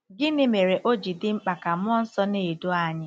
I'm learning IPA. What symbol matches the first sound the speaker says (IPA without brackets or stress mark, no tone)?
ɡ